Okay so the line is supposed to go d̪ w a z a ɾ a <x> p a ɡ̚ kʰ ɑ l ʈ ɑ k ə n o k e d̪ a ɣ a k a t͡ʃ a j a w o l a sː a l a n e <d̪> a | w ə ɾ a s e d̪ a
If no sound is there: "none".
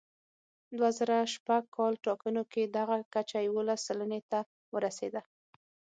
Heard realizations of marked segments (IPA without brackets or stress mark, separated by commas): ʃ, t̪